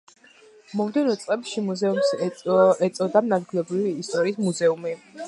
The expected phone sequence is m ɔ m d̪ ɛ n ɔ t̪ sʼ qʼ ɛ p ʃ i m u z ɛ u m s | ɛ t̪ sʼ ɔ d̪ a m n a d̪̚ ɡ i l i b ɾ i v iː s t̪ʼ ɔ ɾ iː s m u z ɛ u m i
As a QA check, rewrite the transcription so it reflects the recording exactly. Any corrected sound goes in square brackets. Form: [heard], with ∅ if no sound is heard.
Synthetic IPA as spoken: m ɔ m d̪ ɛ n ɔ t̪ sʼ qʼ ɛ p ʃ i m u z ɛ u m s | ɛ t̪ sʼ ɔ d̪ a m n a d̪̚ ɡ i l [ɛ] b ɾ i v iː s t̪ʼ ɔ ɾ iː s m u z ɛ u m i